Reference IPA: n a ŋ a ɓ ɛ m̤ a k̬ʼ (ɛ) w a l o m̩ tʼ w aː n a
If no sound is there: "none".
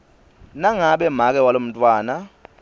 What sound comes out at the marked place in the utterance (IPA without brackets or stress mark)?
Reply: ɛ